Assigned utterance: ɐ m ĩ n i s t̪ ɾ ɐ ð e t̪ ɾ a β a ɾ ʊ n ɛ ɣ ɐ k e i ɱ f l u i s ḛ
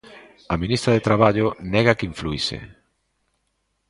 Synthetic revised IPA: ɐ m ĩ n i s t̪ ɾ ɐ ð e t̪ ɾ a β a ʎ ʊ n ɛ ɣ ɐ k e i ɱ f l u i s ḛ